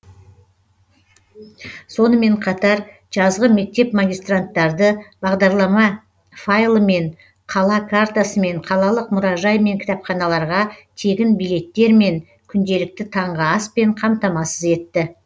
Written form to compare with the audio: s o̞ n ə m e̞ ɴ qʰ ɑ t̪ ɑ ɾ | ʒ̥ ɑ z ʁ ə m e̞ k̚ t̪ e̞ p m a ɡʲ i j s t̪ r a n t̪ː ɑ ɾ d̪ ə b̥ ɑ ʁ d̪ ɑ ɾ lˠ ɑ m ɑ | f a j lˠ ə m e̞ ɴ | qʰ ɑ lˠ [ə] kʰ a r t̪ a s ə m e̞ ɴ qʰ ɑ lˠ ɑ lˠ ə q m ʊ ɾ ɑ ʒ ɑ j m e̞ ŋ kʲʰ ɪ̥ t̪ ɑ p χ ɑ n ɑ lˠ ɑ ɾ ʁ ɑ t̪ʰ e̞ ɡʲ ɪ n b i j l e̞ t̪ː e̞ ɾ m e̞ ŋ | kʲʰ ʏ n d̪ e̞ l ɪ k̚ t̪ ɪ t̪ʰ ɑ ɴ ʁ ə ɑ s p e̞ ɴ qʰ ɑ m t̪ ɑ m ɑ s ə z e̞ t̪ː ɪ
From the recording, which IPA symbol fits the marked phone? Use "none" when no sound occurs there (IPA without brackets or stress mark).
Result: ɑ